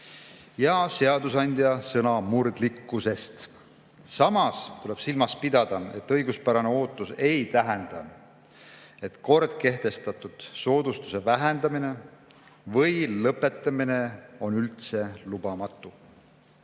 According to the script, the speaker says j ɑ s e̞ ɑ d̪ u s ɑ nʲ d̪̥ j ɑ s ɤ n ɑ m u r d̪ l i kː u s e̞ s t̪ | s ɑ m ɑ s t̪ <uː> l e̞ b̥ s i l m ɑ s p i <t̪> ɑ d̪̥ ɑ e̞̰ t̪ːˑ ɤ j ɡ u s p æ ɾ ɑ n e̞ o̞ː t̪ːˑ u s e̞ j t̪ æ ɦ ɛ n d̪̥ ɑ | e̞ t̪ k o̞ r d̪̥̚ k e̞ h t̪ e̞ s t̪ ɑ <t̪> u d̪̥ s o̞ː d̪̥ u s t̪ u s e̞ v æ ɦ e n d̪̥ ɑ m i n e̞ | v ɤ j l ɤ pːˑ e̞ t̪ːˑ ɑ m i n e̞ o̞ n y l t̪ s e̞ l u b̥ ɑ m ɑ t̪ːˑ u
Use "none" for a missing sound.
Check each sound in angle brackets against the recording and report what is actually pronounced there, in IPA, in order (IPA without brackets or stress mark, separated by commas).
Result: u, d̪, t̪